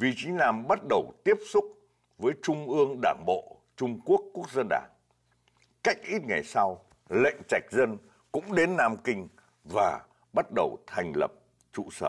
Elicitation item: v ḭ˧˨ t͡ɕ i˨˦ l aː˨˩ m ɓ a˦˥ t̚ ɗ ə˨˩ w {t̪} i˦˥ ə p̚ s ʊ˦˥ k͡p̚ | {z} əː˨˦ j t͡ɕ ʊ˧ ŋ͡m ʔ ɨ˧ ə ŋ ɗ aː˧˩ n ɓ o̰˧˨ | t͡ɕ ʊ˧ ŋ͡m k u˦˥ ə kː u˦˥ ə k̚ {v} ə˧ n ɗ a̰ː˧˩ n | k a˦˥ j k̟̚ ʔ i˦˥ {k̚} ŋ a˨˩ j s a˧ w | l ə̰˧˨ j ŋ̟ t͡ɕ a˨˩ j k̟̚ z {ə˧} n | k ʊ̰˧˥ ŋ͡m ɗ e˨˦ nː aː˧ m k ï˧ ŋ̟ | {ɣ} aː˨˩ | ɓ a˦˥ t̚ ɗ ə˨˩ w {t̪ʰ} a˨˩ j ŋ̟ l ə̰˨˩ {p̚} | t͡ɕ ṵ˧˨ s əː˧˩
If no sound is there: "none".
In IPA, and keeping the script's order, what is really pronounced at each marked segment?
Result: t̪, v, z, t̚, ə˧, v, t̪ʰ, p̚

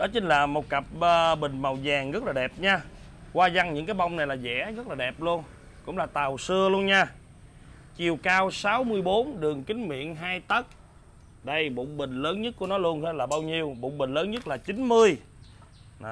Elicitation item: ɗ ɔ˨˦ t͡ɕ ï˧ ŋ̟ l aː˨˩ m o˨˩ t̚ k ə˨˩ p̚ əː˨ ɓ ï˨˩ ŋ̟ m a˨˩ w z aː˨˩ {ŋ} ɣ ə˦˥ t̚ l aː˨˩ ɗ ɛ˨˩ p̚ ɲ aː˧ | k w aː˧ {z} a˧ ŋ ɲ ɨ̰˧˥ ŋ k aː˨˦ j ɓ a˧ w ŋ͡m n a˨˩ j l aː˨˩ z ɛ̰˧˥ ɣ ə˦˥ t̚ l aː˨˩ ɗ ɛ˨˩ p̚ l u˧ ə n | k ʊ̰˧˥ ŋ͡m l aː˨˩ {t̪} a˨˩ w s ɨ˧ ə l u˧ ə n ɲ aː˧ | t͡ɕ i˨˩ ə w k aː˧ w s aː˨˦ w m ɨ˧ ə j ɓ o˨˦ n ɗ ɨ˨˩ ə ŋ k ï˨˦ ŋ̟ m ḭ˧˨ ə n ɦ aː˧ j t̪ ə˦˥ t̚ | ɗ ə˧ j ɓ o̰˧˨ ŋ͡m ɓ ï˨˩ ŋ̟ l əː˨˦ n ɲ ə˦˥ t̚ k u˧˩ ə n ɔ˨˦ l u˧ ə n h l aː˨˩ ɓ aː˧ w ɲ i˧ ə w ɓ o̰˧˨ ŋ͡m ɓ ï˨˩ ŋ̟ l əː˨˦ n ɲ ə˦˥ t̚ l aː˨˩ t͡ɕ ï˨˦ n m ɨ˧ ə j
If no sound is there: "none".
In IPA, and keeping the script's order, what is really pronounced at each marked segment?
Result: ŋ, z, t̪

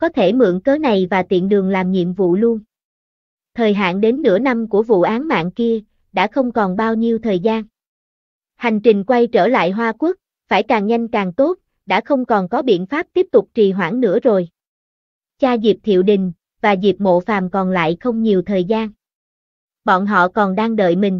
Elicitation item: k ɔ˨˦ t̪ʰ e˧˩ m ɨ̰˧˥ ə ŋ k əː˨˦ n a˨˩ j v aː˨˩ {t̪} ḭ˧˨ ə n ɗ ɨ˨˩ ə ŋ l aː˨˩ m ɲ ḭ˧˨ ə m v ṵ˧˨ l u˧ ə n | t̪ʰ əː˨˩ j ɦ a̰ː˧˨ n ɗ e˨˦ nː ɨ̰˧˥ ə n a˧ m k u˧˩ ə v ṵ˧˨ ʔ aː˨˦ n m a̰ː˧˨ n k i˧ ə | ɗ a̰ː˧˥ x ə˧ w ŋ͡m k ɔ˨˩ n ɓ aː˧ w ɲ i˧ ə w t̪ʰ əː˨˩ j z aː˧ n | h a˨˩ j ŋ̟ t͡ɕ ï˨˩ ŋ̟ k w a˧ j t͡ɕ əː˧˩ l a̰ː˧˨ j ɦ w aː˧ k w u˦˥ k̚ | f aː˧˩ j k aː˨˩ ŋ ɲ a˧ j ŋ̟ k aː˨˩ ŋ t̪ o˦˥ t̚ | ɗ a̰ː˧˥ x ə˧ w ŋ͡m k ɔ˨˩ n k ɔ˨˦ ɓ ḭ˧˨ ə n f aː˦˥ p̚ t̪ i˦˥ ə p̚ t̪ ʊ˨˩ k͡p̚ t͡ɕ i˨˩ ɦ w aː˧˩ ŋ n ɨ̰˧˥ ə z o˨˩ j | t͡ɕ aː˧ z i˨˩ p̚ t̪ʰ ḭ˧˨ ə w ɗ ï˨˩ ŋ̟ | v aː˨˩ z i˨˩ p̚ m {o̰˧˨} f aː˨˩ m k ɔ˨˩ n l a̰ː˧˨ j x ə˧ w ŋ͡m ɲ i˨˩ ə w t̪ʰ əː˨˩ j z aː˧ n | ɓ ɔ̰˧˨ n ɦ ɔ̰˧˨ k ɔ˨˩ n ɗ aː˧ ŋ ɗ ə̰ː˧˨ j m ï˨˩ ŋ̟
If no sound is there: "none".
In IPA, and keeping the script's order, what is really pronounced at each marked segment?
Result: t̪, o̰˧˨

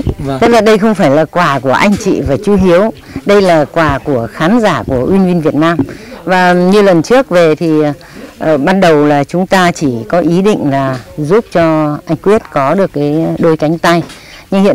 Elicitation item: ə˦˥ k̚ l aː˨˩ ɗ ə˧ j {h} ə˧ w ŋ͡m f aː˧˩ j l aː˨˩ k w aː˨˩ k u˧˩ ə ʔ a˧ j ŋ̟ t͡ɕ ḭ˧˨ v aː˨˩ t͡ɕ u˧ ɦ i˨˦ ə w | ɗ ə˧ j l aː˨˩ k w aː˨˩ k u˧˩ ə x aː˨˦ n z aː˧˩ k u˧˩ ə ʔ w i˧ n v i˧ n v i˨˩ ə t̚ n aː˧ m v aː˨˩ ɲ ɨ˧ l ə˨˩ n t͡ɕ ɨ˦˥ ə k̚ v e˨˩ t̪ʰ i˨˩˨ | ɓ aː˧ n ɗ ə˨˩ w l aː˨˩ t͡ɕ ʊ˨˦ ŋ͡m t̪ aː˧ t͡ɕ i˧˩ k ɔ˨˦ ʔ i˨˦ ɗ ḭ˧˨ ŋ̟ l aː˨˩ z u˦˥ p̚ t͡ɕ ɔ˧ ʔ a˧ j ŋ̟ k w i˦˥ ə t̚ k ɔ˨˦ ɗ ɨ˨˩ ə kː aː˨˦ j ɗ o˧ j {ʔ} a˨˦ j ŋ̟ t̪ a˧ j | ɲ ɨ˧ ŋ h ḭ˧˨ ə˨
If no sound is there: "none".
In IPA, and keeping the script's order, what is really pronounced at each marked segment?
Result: x, k

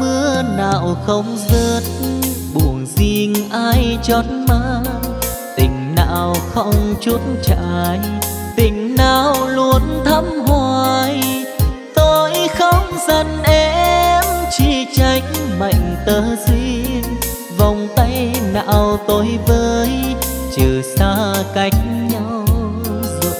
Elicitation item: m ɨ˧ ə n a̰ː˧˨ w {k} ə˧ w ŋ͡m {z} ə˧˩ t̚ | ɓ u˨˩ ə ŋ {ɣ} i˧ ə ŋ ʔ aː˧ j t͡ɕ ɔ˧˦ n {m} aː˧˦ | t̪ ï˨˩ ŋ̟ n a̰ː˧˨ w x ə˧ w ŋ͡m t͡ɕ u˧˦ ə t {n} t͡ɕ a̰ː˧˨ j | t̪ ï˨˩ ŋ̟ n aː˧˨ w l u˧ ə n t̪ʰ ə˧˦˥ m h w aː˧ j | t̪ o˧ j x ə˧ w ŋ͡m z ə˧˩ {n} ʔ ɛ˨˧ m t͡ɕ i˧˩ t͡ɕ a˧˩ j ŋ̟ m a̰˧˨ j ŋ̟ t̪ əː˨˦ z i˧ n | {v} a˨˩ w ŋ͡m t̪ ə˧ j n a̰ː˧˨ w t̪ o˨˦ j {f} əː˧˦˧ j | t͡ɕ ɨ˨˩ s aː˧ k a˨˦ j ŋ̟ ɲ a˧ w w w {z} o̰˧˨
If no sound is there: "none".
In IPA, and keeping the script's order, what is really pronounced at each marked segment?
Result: x, z, z, m, n, n, v, v, z

